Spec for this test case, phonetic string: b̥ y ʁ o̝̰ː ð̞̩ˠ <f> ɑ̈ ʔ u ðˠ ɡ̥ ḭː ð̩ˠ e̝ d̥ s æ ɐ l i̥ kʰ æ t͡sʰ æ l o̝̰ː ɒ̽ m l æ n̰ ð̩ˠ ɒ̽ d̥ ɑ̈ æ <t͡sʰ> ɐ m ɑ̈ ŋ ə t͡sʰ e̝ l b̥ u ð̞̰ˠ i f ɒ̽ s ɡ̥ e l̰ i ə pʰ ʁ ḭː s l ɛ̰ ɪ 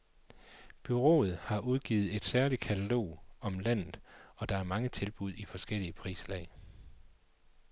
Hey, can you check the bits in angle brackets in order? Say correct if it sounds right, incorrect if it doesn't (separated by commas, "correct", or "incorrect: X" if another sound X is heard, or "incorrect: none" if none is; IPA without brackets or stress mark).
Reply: incorrect: h, incorrect: none